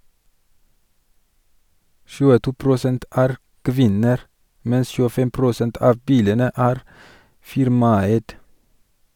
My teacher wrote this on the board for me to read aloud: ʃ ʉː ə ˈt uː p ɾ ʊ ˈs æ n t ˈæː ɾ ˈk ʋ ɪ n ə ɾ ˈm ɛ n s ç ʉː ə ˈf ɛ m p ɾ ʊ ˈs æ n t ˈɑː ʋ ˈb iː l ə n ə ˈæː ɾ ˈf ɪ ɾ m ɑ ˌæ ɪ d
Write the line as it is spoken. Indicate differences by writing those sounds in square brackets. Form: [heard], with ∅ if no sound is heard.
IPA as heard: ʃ ʉː ə ˈt uː p ɾ ʊ ˈs [ɛ] n t ˈæː ɾ ˈk ʋ ɪ n ə ɾ ˈm ɛ n s ç ʉː ə ˈf ɛ m p ɾ ʊ ˈs [ɛ] n t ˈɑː ʋ ˈb iː l ə n ə ˈæː ɾ ˈf ɪ ɾ m ɑ ˌæ ɪ d